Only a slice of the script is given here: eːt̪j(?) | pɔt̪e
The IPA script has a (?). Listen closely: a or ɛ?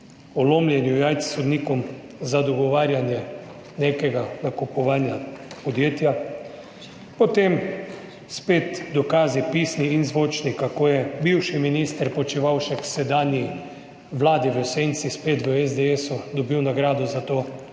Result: a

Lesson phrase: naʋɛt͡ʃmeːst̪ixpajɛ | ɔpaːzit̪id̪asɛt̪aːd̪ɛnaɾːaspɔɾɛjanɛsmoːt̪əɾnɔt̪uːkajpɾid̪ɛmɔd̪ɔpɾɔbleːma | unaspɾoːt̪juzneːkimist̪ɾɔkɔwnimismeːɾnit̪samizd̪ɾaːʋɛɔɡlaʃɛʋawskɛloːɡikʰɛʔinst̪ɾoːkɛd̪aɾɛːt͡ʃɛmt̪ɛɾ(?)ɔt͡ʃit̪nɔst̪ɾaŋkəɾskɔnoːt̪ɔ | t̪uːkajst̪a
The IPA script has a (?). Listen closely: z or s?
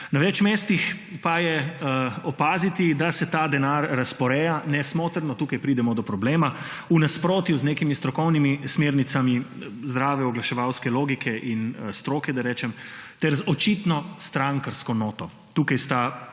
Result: z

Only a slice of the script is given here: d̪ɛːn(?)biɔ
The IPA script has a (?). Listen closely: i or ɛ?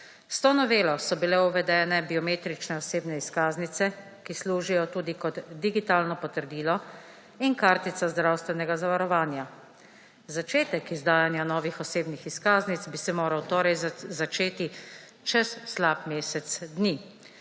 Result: ɛ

